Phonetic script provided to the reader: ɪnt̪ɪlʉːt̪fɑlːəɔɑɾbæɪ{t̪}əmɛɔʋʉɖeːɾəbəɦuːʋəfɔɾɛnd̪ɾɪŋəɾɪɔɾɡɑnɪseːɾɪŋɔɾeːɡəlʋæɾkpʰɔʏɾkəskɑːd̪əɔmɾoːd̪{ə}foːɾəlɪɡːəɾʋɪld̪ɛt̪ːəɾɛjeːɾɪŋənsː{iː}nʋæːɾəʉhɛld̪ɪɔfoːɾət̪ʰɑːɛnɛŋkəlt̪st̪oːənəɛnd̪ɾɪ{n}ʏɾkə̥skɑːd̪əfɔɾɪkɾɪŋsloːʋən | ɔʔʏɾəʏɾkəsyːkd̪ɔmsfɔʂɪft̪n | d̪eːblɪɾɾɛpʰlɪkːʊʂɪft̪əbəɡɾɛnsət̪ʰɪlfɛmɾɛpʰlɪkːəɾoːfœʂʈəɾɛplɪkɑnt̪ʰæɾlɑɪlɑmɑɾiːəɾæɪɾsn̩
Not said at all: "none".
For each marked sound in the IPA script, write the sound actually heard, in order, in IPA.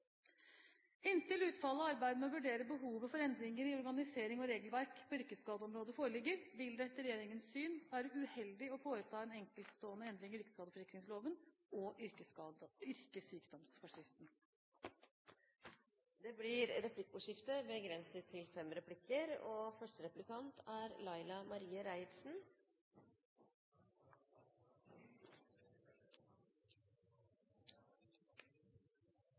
d̪, ə, yː, ŋ

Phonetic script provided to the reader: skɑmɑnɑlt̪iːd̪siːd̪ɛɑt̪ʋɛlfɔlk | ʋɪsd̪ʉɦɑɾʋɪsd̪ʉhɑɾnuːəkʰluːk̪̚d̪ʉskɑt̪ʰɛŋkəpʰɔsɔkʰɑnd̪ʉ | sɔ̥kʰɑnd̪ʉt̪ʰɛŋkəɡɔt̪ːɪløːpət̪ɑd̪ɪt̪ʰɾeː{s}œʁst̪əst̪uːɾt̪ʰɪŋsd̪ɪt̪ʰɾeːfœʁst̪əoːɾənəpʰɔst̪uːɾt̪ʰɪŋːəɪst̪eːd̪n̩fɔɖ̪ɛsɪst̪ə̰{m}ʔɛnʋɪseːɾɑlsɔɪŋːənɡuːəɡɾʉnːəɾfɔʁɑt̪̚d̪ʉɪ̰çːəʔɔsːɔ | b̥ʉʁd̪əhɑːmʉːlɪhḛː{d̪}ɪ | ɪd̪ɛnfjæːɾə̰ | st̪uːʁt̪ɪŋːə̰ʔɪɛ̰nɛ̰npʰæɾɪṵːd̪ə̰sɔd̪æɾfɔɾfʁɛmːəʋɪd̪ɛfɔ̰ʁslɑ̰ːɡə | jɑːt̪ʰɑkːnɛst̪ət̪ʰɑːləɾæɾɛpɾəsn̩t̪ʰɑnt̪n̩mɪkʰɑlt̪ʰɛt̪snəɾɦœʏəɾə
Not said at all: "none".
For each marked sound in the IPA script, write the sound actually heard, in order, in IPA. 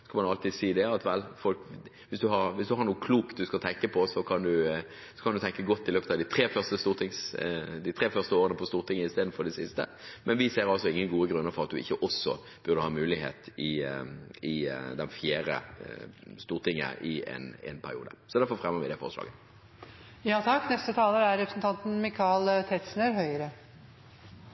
f, m, t̪

